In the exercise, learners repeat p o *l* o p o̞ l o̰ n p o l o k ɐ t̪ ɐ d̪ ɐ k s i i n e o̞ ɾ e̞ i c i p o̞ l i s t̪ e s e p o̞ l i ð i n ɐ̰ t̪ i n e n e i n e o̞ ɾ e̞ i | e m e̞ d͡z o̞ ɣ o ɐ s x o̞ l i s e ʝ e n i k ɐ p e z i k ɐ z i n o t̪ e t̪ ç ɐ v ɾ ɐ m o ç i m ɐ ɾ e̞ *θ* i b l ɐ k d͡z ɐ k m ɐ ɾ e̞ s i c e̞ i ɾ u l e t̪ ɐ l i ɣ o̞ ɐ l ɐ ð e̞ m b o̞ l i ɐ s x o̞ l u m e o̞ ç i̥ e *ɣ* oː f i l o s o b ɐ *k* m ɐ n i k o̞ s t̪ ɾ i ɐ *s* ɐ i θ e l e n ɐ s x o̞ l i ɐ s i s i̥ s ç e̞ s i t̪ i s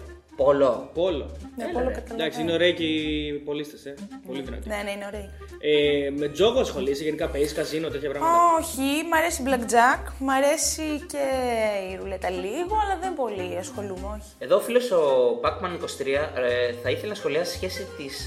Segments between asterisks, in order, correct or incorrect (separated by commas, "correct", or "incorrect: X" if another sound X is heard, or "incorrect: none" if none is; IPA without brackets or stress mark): correct, incorrect: s, incorrect: ð, correct, incorrect: θ